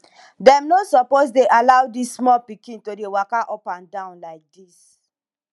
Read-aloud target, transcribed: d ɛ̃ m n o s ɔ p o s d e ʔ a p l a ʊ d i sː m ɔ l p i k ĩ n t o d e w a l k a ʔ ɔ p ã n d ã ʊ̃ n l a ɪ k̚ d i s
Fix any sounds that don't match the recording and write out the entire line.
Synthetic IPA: d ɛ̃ m n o s ɔ p o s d e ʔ a l a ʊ d i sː m ɔ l p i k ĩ n t o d e w a k a ʔ ɔ p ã n d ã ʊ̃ n l a ɪ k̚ d i s